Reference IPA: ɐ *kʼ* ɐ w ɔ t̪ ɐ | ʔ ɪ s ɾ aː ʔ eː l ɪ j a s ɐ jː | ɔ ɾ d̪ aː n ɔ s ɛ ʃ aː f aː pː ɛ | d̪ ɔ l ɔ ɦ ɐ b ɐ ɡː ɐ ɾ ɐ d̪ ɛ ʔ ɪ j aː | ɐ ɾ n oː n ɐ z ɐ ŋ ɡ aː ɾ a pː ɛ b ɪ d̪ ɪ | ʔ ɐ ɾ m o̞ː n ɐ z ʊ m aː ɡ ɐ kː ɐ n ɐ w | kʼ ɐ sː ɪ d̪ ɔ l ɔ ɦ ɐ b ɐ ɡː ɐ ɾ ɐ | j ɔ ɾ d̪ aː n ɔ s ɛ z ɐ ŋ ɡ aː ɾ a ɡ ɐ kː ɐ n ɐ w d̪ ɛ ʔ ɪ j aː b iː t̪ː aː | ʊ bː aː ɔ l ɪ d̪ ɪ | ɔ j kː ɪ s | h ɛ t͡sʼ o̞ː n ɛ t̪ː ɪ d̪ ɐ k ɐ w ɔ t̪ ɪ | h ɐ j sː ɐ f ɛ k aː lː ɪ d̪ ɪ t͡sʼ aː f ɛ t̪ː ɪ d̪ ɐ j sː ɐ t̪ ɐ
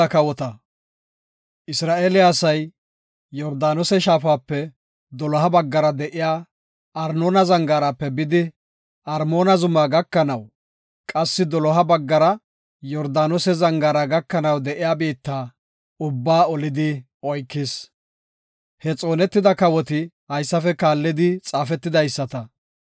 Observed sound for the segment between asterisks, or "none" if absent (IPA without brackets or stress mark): k